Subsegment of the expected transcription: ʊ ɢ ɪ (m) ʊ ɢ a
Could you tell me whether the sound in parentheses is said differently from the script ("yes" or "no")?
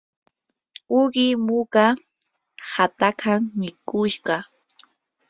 no